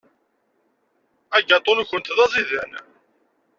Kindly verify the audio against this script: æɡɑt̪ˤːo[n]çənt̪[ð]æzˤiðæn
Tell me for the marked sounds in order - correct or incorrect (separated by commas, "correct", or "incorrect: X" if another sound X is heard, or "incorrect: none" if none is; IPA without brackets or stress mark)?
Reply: correct, correct